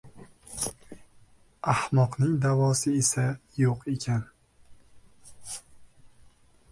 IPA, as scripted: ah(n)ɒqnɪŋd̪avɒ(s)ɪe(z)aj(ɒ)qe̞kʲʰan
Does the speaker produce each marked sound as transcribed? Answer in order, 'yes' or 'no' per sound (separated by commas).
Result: no, yes, no, no